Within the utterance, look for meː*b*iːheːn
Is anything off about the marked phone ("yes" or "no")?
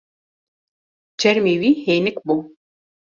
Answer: yes